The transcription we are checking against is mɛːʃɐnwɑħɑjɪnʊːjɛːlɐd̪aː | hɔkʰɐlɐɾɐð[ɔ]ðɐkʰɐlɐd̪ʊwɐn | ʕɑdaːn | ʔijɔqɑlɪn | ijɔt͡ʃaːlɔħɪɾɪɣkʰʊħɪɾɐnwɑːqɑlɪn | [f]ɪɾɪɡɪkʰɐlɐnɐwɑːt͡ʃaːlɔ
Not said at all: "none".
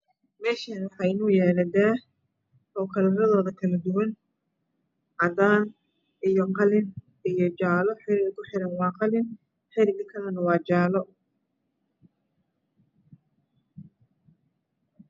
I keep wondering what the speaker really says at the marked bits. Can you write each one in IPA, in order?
ɔː, ħ

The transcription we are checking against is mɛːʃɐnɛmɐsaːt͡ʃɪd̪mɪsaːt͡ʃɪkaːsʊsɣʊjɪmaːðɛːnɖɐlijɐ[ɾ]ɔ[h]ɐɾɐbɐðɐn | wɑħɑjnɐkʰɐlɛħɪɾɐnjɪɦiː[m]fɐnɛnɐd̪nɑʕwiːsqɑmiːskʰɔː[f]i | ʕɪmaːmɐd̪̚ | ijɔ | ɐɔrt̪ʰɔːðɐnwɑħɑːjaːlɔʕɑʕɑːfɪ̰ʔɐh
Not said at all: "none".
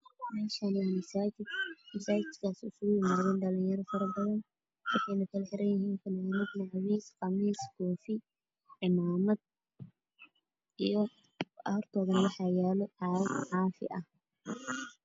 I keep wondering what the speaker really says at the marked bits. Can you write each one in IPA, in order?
ɾ, f, n, f

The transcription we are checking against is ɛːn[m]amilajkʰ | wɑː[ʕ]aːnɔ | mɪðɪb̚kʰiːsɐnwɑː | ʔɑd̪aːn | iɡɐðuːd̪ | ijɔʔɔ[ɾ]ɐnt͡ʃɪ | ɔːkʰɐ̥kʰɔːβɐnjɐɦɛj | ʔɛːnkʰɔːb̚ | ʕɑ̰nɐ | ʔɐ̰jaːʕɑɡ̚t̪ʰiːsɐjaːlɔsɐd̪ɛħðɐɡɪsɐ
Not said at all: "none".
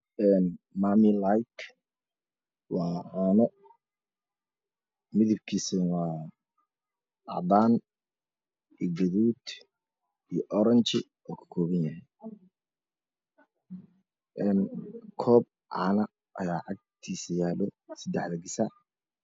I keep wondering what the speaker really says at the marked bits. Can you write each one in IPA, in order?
m, ʕ, ɾ

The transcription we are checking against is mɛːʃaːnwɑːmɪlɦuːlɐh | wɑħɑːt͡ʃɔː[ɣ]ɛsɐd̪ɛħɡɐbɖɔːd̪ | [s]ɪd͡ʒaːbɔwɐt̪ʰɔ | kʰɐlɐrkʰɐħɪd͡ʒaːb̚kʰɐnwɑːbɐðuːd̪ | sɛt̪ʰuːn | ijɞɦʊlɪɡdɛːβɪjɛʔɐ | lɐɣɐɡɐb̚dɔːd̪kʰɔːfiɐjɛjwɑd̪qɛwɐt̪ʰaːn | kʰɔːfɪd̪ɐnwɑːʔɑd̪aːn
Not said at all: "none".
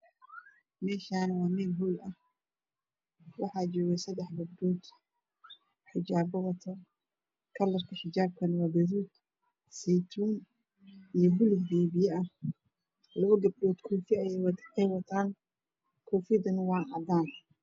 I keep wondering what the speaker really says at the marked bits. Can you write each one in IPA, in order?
ɣ, ħ

